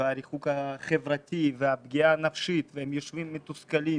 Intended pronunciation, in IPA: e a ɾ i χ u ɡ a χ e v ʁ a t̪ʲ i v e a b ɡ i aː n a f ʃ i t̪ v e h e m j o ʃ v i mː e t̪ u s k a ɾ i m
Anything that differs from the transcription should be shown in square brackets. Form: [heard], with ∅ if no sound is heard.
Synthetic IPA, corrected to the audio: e a ɾ i χ u [k] a χ e v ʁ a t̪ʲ i v e a b ɡ i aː n a f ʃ i t̪ v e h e m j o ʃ v i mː e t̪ u s k a [l] i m